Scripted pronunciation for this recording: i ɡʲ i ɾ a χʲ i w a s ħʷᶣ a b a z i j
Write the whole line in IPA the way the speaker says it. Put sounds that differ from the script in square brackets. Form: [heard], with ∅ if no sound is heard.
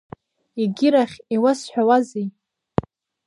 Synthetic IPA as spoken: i ɡʲ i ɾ a χʲ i w a s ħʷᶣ a [w] a z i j